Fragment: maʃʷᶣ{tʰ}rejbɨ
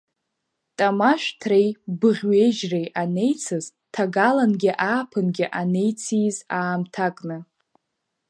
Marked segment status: correct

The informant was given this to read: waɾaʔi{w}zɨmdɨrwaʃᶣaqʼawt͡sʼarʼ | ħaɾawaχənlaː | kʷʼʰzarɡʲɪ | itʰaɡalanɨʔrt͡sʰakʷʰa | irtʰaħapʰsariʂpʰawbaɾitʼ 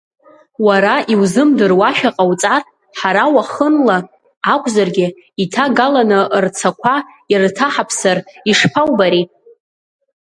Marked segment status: correct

